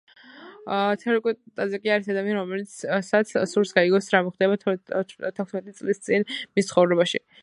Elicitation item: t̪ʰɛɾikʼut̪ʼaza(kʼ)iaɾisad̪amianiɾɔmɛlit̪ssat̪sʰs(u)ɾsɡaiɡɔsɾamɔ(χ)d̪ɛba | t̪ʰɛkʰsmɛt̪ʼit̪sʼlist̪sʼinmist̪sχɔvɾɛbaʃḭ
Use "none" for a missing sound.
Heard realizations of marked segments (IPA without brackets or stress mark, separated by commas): kʼ, u, χ